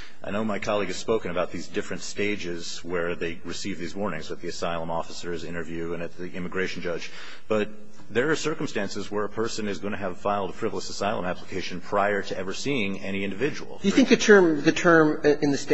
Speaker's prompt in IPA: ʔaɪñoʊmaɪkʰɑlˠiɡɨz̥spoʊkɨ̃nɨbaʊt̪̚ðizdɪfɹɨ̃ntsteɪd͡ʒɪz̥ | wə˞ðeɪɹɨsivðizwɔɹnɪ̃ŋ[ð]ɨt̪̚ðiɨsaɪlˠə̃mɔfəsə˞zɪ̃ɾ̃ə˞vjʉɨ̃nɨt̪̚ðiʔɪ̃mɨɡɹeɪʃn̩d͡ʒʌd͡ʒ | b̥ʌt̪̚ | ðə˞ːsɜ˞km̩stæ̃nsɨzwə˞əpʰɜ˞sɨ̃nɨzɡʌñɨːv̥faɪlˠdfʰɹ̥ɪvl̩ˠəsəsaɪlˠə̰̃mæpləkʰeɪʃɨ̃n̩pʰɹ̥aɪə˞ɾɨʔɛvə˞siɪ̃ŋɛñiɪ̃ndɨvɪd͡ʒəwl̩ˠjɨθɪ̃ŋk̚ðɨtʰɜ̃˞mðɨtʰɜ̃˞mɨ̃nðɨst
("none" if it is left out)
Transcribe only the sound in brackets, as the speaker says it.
z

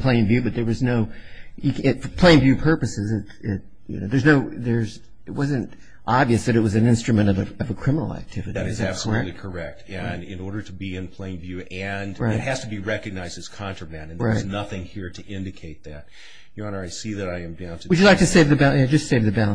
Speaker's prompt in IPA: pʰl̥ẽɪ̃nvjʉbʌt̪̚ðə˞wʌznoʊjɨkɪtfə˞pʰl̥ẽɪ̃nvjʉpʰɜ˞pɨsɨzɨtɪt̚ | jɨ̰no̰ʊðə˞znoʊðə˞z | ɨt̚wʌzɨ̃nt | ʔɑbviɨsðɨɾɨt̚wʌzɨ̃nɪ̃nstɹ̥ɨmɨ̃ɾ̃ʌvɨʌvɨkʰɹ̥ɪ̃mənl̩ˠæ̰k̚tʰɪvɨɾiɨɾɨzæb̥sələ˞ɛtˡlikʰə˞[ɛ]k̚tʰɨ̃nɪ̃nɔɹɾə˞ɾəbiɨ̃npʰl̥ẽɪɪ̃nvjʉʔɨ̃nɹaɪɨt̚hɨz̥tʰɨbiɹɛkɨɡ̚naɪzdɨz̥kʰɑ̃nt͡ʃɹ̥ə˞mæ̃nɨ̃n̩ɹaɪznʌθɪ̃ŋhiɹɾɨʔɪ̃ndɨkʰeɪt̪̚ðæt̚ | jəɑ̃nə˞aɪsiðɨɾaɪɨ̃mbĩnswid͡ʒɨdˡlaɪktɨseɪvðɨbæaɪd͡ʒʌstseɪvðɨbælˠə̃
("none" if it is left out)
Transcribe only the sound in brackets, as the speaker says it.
ɛ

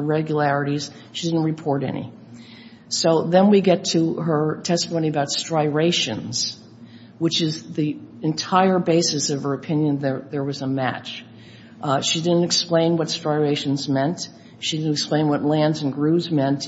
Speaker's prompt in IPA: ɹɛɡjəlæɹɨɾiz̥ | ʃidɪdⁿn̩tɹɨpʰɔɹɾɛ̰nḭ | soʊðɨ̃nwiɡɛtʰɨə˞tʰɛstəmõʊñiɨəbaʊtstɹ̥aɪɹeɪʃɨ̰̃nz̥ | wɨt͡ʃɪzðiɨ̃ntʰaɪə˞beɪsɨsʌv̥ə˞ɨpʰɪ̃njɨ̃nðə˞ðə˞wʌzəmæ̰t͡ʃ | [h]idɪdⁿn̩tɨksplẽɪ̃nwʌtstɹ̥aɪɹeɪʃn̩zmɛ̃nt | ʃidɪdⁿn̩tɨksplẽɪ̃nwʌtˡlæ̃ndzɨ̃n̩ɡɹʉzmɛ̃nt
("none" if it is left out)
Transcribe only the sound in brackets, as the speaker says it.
ʃ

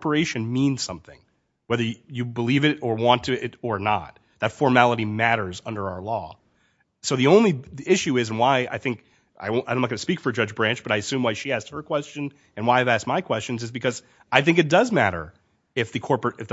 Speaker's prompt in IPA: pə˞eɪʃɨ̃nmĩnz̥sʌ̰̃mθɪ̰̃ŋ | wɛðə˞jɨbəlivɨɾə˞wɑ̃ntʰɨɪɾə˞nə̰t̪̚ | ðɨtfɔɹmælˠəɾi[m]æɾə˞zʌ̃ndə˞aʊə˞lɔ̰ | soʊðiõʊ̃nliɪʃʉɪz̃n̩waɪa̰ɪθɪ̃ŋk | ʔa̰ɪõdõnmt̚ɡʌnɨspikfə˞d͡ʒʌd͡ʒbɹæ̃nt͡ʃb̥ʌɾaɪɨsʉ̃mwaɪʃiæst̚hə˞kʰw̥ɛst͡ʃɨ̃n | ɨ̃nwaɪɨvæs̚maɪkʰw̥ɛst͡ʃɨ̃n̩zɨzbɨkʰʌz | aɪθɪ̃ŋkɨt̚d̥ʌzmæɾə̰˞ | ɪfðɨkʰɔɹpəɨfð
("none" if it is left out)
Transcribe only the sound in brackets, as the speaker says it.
m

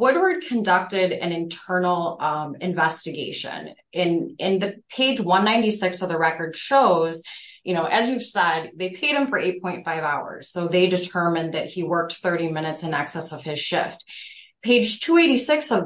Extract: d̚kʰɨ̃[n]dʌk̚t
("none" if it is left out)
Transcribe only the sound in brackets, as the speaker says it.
n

